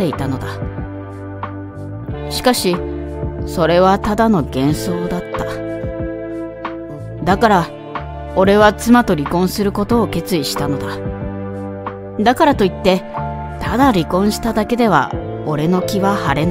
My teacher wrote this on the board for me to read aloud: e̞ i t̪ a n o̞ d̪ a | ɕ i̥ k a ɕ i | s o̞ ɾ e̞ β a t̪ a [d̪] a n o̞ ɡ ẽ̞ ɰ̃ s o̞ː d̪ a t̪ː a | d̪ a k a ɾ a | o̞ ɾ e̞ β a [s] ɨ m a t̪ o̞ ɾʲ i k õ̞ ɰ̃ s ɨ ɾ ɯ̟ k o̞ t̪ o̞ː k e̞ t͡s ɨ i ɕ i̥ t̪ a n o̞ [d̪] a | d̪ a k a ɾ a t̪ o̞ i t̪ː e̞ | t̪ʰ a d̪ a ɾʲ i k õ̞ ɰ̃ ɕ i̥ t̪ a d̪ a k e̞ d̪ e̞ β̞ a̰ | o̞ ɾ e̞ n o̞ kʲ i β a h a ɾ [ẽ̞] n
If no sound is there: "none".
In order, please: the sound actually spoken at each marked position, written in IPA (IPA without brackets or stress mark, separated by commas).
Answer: d̪, t͡s, d̪, e̞